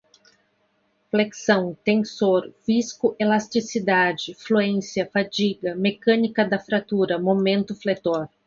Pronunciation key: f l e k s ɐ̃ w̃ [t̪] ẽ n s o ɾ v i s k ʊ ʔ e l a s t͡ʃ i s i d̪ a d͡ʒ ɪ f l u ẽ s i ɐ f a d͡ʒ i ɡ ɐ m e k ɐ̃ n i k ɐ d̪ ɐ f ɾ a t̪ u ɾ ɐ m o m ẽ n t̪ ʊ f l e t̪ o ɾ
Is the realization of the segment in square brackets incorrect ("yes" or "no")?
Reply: no